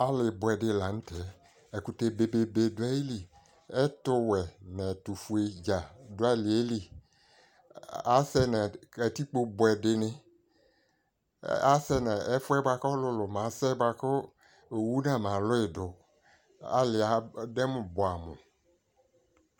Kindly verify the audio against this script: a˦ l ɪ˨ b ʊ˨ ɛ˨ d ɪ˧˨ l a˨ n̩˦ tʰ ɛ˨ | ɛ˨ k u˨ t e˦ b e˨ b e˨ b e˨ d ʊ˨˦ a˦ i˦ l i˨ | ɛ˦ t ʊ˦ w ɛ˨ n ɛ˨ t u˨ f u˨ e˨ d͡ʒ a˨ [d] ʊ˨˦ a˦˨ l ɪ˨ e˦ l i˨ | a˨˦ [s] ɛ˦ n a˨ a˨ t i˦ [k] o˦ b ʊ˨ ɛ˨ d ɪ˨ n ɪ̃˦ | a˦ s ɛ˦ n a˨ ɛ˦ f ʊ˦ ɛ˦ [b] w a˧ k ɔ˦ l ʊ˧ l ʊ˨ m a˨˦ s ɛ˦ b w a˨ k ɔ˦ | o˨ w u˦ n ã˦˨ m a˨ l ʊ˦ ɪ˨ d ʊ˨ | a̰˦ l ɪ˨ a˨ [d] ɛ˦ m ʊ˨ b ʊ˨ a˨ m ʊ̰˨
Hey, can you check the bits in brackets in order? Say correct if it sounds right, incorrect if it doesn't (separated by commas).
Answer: correct, correct, incorrect, correct, correct